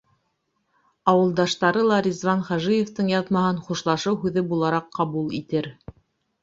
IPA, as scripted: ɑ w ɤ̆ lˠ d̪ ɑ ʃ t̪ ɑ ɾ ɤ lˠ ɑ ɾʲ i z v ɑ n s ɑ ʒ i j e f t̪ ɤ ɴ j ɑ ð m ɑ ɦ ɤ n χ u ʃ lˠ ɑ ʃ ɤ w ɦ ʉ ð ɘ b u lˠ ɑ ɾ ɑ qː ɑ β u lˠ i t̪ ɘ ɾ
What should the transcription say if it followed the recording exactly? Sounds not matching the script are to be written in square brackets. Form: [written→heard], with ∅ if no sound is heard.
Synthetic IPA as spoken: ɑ w ɤ̆ lˠ d̪ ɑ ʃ t̪ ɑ ɾ ɤ lˠ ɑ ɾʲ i z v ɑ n [s→χ] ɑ ʒ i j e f t̪ ɤ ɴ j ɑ ð m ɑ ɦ ɤ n χ u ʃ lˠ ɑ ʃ ɤ w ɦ ʉ ð ɘ b u lˠ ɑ ɾ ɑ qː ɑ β u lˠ i t̪ ɘ ɾ